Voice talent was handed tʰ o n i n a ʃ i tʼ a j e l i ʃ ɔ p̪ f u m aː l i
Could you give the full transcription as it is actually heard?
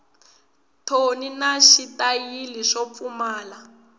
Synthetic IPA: tʰ o n i n a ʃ i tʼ a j i l i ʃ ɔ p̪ f u m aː l a